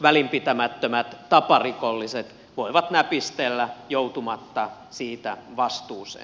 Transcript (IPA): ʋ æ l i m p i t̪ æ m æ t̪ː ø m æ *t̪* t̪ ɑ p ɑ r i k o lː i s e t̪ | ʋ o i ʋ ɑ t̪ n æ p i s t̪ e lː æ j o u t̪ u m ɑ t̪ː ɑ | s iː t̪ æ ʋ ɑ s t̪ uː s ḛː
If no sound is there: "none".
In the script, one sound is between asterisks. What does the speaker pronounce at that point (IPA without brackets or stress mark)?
t̪